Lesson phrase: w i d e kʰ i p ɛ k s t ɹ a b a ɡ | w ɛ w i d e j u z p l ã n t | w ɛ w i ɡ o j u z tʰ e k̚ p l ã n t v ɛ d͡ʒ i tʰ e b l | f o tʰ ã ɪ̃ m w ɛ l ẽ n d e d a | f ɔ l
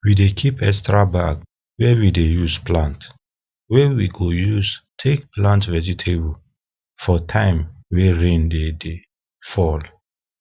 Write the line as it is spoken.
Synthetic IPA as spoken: w i d e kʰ i p ɛ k s t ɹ a b a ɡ | w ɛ w i d e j u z p l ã n t | w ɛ w i ɡ o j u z tʰ e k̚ p l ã n t v ɛ d͡ʒ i tʰ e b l | f ɔ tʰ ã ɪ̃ m w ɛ ɹ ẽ n d e d e | f ɔ l